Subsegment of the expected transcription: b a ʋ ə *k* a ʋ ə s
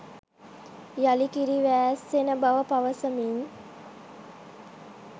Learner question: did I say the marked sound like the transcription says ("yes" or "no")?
no